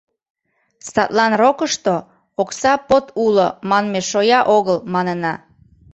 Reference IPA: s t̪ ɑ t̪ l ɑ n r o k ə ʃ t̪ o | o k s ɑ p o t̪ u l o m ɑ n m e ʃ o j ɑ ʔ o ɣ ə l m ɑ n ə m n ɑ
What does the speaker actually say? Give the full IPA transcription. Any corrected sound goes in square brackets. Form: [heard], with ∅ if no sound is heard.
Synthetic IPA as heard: s t̪ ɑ t̪ l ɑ n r o k ə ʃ t̪ o | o k s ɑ p o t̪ u l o m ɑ n m e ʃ o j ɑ ʔ o ɣ ə l m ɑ n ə [∅] n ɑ